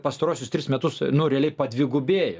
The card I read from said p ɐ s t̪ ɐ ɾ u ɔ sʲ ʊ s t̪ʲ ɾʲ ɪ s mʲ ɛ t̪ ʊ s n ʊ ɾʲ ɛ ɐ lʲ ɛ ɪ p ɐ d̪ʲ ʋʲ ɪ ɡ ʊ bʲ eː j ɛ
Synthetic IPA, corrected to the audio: p ɐ s t̪ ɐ ɾ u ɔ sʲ ʊ s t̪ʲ ɾʲ ɪ s mʲ ɛ t̪ ʊ s n ʊ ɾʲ ɛ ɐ lʲ ɛ ɪ p ɐ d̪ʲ ʋʲ ɪ ɡ ʊ bʲ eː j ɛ